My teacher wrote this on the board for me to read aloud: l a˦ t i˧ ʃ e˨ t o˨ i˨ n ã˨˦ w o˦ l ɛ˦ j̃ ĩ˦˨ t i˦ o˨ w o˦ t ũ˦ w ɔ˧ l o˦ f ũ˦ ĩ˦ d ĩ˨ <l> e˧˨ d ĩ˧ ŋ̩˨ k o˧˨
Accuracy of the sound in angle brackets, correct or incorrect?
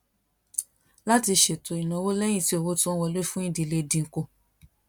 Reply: correct